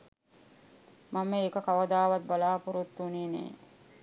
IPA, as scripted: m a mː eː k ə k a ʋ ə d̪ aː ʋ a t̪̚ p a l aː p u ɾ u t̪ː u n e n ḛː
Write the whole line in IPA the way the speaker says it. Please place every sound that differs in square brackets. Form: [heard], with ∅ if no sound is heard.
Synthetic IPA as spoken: m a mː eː k ə k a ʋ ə d̪ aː ʋ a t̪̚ [b] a l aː p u ɾ u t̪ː u n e n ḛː